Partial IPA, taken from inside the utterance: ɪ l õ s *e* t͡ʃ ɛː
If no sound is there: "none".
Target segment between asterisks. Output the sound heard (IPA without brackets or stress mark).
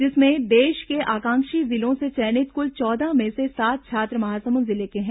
e